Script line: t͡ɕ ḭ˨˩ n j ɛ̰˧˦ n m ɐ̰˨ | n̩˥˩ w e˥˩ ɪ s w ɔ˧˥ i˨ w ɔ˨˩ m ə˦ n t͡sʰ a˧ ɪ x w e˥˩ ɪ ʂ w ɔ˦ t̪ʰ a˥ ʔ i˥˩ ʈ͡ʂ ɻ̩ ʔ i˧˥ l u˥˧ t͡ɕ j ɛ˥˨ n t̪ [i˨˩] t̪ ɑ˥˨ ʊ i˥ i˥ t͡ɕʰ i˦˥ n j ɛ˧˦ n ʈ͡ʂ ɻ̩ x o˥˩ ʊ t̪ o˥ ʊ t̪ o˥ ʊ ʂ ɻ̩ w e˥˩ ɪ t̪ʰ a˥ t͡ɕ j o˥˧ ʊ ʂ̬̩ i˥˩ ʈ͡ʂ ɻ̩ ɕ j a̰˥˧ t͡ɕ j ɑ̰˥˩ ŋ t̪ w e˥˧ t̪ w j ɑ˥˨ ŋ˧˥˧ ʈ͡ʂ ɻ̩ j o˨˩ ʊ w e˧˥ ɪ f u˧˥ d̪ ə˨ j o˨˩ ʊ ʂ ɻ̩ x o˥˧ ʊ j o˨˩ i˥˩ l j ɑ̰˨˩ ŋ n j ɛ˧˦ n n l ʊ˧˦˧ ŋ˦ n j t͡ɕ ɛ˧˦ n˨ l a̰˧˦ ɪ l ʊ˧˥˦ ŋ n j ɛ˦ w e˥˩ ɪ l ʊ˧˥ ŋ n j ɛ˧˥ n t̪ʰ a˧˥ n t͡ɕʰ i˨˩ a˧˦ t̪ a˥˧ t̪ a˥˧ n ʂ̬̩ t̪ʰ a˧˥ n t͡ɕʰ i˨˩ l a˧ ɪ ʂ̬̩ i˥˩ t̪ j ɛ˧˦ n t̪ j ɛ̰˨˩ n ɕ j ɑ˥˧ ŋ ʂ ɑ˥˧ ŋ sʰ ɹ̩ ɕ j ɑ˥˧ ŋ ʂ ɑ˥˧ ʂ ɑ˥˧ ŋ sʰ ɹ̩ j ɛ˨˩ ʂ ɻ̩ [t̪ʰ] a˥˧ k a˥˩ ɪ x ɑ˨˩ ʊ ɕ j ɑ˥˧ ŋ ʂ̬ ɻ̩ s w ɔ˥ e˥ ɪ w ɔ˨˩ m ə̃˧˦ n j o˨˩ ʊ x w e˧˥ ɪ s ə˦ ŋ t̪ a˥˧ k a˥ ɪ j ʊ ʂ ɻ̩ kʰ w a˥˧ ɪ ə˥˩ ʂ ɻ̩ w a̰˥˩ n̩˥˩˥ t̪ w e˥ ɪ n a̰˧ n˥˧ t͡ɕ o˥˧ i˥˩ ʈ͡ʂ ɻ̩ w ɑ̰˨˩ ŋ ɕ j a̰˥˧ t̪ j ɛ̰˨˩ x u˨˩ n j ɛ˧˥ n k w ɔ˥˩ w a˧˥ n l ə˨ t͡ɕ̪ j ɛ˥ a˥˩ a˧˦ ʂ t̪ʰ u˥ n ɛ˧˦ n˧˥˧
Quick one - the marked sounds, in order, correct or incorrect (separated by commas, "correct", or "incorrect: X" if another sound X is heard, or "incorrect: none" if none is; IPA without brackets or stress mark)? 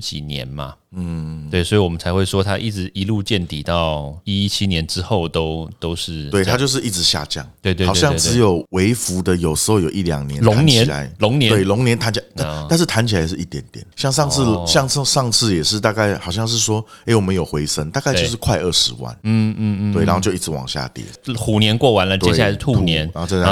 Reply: correct, incorrect: t̪